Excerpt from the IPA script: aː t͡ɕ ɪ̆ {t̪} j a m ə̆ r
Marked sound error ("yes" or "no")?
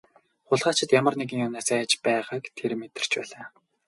no